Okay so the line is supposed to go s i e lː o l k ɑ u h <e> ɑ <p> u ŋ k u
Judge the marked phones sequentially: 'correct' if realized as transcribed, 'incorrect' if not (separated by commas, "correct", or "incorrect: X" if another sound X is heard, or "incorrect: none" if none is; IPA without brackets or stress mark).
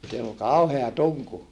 correct, incorrect: t